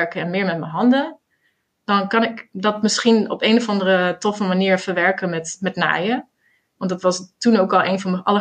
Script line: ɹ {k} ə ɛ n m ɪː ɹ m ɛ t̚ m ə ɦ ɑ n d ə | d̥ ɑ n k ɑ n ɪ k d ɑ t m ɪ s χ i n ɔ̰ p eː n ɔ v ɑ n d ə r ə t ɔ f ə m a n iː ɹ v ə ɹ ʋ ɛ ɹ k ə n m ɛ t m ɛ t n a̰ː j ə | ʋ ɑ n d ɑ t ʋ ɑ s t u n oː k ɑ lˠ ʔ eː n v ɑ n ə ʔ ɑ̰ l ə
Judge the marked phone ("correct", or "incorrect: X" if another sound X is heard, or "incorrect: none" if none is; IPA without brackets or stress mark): correct